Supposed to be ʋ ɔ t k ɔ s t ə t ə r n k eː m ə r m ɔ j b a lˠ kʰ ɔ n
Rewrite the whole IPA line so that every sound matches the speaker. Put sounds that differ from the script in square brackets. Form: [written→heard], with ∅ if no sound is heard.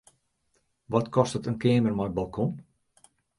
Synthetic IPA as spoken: ʋ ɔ t k ɔ s t ə t ə [r→∅] n k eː m ə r m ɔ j b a lˠ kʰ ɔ n